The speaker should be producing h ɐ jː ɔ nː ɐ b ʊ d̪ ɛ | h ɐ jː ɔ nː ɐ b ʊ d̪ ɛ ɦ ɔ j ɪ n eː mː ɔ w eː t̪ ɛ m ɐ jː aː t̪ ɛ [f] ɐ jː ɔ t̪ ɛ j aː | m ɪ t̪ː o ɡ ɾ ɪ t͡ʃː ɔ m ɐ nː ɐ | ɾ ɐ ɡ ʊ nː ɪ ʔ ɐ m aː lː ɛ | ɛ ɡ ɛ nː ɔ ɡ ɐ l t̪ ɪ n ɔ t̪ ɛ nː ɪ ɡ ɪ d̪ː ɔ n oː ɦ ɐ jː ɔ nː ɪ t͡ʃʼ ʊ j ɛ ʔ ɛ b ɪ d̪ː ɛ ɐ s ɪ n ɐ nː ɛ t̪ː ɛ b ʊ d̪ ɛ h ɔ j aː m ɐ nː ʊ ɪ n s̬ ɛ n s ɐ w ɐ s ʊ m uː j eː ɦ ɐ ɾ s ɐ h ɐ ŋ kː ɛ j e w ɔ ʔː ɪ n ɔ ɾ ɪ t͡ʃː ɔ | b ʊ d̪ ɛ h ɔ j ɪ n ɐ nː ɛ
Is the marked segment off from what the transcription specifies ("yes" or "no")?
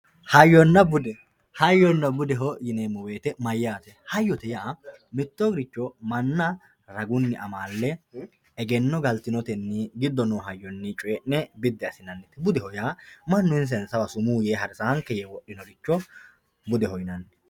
yes